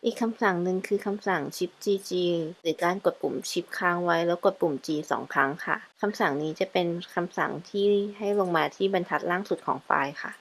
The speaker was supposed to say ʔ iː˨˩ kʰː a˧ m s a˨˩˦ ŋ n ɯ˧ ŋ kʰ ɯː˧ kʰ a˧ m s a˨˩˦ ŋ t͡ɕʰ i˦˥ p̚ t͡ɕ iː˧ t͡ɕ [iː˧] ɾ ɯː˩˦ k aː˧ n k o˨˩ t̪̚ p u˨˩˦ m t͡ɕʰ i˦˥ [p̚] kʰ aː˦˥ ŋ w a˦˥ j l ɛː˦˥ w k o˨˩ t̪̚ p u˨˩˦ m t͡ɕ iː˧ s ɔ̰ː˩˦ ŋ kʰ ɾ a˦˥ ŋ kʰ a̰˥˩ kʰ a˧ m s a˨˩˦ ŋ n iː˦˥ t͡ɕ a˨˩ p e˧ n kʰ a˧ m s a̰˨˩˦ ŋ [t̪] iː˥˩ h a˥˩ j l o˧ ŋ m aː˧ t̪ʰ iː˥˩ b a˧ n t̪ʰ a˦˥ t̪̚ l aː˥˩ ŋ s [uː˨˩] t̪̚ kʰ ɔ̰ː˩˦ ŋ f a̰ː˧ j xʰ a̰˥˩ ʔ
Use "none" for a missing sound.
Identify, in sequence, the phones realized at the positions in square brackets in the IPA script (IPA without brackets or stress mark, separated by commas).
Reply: iː˧, p̚, t̪ʰ, u˨˩